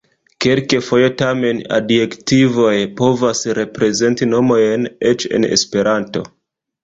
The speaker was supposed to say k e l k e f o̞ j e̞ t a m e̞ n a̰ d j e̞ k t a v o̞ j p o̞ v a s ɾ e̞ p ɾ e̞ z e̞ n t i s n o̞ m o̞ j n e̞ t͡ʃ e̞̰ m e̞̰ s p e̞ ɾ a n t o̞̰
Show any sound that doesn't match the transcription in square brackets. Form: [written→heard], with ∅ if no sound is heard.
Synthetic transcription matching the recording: k e l k e f o̞ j e̞ t a m e̞ n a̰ d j e̞ k t [a→i] v o̞ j p o̞ v a s ɾ e̞ p ɾ e̞ z e̞ n t i [s→∅] n o̞ m o̞ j n e̞ t͡ʃ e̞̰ [m→n] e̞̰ s p e̞ ɾ a n t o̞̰